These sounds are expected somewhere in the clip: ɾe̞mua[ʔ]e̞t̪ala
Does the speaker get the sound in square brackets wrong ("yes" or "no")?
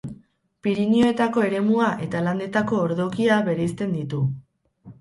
no